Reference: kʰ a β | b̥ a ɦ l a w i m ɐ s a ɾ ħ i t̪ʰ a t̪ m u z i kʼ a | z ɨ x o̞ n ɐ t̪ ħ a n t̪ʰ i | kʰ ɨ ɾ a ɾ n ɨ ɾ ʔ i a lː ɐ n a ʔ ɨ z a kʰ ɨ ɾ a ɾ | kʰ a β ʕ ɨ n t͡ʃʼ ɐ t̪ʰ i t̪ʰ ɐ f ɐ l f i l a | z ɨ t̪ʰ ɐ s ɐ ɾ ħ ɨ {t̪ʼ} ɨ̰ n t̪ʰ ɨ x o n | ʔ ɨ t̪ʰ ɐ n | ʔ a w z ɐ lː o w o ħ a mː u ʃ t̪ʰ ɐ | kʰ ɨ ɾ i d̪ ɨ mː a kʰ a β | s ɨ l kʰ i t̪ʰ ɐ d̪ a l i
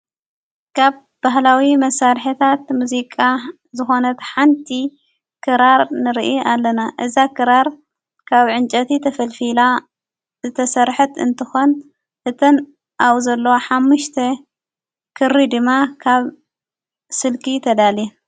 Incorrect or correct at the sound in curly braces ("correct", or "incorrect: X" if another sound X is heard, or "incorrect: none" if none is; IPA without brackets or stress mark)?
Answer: incorrect: t̪